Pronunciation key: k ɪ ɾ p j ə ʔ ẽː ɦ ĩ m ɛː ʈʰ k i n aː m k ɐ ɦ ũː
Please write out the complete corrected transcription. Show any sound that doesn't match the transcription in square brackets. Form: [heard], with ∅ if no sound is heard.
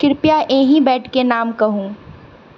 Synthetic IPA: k ɪ ɾ p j [a] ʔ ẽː ɦ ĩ [b] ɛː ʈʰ k [e] n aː m k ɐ ɦ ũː